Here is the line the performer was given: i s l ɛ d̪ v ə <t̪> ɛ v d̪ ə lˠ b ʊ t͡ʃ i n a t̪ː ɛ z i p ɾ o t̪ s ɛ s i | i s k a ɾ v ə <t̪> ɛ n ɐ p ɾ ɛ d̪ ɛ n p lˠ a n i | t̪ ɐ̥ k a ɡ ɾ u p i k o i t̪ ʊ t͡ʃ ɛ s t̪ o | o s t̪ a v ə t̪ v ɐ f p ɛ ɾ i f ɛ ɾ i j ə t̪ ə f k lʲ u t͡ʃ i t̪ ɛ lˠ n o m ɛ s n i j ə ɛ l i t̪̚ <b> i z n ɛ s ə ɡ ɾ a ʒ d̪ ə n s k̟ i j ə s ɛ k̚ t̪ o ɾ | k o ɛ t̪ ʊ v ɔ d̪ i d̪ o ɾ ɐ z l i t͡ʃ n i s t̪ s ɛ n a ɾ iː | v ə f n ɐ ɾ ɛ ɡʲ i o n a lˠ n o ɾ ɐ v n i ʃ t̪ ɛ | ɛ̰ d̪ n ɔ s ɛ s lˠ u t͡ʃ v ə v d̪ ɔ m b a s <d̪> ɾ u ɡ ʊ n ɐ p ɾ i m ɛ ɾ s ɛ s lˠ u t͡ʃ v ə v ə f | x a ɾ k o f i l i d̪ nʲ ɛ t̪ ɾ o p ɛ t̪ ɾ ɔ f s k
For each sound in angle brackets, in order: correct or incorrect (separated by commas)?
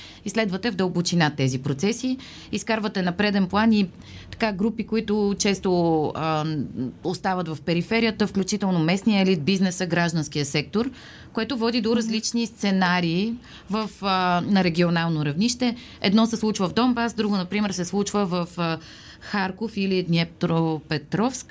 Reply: correct, correct, correct, correct